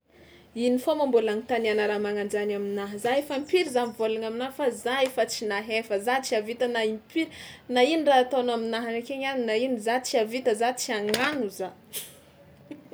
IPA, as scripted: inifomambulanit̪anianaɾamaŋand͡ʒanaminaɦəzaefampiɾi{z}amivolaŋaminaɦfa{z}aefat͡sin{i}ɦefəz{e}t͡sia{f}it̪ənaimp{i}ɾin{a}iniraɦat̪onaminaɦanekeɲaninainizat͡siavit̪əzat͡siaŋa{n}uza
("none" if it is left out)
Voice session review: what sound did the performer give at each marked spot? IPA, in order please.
z, z, a, a, v, i, a, n

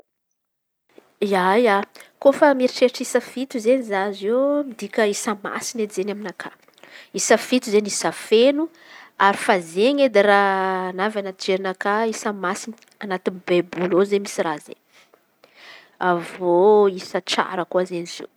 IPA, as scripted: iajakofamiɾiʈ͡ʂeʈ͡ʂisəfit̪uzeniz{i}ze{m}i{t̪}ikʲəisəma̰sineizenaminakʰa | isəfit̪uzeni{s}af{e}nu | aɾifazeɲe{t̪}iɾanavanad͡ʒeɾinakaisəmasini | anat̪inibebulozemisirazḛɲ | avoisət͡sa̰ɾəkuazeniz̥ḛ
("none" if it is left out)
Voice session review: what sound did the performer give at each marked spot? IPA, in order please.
a, m, d̪, s, e, d̪

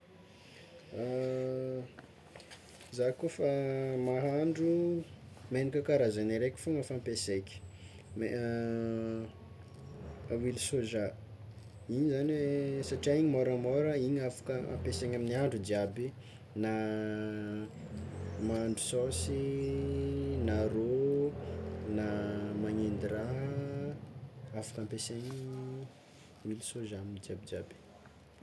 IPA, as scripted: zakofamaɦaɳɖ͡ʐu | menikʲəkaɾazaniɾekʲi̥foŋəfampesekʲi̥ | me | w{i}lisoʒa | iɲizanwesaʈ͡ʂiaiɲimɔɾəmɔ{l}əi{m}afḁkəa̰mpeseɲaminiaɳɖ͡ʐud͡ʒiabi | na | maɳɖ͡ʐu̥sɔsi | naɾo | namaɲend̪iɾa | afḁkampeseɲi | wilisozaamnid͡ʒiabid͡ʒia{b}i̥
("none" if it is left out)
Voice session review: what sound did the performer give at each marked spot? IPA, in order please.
i, ɾ, ɲ, b

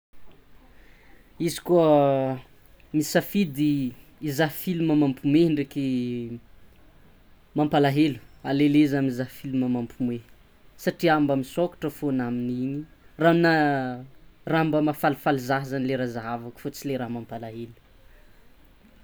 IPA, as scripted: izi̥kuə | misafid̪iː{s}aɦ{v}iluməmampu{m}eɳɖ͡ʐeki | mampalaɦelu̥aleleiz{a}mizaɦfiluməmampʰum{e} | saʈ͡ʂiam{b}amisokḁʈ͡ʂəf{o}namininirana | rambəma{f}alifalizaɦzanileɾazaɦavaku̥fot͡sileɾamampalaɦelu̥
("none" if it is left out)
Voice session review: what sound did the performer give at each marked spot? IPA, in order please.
z, f, m, a, e, b, o, f

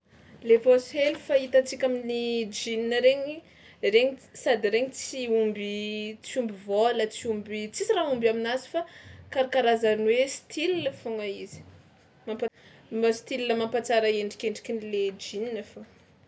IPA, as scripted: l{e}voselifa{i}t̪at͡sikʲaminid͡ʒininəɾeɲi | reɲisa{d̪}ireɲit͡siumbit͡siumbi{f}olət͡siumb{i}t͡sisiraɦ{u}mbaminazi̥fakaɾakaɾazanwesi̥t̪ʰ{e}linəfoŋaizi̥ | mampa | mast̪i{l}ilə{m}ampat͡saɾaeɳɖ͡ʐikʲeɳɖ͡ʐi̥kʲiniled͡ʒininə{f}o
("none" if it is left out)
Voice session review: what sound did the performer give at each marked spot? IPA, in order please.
e, i, d̪, v, i, u, i, l, m, f

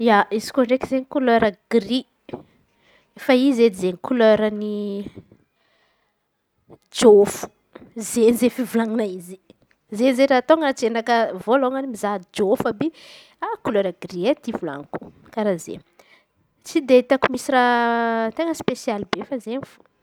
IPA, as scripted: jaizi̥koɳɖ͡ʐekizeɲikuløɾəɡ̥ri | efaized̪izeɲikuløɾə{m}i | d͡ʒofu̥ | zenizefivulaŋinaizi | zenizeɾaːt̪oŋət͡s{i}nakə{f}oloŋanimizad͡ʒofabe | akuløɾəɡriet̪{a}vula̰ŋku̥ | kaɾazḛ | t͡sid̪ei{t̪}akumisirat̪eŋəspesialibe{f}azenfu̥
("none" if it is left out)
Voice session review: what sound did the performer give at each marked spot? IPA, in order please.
n, e, v, i, t̪, f

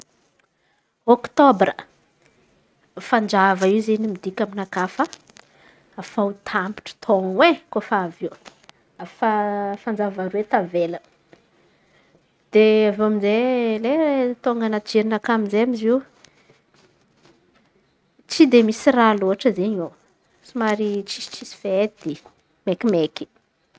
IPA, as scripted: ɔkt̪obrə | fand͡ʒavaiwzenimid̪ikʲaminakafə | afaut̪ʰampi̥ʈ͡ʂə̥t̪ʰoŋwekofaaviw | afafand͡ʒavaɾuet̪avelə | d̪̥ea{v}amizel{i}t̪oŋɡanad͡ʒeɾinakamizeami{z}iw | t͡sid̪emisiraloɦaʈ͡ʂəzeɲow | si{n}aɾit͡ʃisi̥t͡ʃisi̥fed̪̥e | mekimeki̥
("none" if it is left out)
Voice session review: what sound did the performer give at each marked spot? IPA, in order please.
v, e, z, m

